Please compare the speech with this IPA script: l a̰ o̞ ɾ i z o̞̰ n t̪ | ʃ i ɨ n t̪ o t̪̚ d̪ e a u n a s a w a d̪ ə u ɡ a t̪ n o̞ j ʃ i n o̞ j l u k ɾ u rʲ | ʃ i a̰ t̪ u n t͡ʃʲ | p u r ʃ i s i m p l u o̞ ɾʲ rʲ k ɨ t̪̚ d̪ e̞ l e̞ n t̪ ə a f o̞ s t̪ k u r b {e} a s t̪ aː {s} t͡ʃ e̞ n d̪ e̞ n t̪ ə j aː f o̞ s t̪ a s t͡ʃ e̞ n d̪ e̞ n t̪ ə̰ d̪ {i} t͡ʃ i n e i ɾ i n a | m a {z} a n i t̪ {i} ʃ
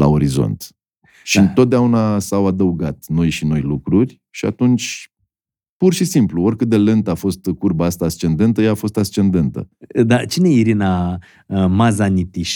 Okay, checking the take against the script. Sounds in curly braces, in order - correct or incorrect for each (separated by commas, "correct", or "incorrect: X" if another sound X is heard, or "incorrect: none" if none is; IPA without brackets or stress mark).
incorrect: a, correct, incorrect: a, correct, correct